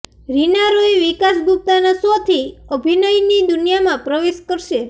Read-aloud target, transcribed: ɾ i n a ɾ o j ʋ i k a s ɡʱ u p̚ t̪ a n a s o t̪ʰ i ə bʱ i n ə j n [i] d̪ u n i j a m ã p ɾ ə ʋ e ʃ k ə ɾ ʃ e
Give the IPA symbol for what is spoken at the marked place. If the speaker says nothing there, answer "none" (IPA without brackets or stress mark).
i